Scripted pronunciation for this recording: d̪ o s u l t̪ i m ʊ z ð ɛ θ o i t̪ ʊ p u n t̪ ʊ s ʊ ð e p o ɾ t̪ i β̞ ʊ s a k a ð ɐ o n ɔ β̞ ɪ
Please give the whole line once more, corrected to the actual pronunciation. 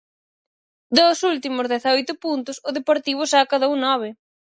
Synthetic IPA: d̪ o s u l t̪ i m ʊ z ð ɛ θ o j t̪ ʊ p u n t̪ ʊ s ʊ ð e p o ɾ t̪ i β̞ ʊ s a k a ð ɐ u n ɔ β̞ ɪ